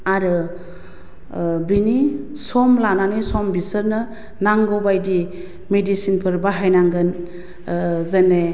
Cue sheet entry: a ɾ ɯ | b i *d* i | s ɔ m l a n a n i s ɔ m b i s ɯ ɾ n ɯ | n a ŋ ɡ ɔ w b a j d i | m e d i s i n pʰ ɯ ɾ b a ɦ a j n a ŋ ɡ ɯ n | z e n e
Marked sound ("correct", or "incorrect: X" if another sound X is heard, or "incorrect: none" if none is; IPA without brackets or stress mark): incorrect: n